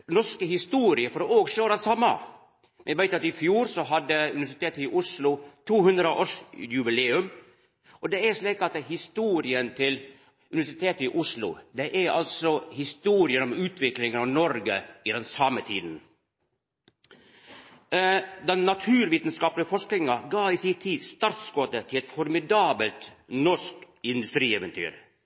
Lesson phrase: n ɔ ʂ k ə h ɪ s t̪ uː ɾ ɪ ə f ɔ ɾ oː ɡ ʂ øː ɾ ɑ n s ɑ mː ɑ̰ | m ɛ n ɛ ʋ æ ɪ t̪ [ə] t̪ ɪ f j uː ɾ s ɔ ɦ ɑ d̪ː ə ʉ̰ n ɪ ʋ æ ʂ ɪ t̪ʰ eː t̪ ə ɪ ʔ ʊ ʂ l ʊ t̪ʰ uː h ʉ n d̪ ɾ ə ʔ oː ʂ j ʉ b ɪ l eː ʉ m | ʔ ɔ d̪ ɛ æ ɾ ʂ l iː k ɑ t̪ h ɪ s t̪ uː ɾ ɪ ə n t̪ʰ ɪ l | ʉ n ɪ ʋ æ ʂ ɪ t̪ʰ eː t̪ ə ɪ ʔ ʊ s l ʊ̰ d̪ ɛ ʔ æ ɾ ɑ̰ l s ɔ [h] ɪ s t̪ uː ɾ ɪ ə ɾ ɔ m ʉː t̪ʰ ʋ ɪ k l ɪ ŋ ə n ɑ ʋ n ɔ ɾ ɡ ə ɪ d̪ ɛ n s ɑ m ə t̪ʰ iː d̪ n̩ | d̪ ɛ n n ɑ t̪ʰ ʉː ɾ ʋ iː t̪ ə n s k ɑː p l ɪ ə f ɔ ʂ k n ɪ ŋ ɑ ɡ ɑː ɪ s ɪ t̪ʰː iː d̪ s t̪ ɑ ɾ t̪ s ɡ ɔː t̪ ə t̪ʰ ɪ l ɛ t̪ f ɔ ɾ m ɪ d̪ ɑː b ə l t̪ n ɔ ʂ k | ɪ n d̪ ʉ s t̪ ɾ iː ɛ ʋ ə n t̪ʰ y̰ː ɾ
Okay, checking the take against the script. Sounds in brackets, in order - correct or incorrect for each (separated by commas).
incorrect, correct